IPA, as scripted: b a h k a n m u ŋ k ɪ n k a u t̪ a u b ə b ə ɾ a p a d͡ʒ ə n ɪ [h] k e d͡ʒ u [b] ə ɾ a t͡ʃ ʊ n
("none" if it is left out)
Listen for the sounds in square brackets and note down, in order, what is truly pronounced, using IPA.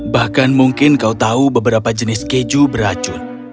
s, b

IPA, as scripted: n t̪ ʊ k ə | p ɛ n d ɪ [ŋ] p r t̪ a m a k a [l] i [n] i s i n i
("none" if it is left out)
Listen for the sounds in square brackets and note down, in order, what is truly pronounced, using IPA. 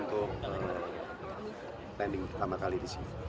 ŋ, l, d

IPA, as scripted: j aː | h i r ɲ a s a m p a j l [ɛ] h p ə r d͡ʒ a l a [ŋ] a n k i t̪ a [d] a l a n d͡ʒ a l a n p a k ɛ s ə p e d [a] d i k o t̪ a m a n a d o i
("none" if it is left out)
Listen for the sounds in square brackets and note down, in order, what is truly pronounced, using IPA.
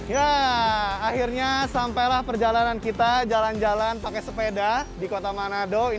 a, n, d͡ʒ, a

